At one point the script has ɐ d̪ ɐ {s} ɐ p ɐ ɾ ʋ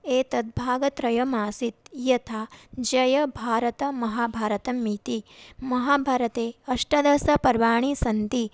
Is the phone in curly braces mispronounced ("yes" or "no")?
no